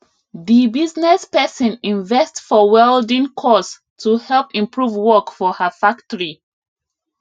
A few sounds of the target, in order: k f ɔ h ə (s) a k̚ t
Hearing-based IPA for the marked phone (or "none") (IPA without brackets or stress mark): f